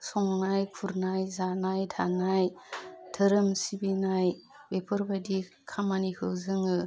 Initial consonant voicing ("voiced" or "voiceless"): voiceless